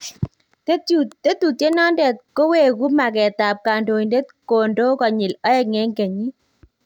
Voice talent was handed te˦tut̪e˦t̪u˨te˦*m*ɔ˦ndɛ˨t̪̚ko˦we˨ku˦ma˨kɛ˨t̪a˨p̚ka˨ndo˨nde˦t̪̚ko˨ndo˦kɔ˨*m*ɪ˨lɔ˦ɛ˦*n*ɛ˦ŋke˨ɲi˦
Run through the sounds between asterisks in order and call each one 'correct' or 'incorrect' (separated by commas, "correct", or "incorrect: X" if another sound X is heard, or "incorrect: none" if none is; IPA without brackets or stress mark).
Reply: incorrect: n, incorrect: ɲ, incorrect: ŋ